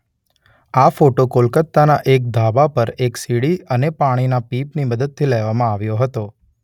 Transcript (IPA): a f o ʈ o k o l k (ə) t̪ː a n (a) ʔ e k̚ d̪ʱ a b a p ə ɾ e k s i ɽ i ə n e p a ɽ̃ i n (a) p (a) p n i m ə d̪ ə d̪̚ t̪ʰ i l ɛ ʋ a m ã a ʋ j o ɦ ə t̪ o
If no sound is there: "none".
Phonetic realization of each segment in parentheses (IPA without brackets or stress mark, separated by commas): ə, a, a, i